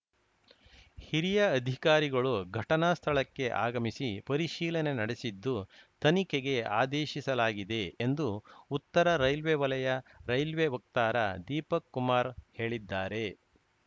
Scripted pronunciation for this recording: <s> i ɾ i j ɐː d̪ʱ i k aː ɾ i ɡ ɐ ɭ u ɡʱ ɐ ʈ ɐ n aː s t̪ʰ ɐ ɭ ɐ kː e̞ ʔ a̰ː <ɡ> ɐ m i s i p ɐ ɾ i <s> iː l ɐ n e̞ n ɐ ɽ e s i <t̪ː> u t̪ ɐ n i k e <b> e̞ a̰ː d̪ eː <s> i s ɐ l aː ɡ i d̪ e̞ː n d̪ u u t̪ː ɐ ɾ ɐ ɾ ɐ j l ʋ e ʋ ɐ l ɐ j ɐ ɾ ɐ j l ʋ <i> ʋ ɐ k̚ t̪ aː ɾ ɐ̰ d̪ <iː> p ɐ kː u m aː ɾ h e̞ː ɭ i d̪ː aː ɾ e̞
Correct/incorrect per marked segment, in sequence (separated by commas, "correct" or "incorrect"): incorrect, correct, incorrect, incorrect, incorrect, incorrect, incorrect, correct